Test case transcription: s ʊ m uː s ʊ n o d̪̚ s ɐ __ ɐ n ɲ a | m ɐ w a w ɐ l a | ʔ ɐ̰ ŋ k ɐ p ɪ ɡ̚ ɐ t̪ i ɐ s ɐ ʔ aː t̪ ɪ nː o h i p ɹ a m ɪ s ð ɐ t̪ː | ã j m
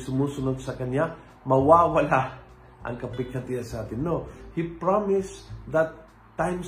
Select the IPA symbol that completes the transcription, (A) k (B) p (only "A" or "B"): A